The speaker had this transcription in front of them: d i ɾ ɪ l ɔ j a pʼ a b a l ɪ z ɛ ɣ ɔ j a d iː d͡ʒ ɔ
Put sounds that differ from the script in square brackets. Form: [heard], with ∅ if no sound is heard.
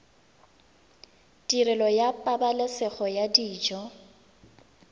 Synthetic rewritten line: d i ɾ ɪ l ɔ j a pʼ a b a l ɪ [s] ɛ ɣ ɔ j a d iː d͡ʒ ɔ